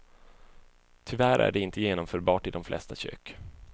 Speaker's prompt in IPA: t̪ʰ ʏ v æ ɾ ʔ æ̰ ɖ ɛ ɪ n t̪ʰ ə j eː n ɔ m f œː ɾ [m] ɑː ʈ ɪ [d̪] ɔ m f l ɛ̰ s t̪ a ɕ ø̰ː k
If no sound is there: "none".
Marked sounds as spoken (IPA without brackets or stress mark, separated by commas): b, d̪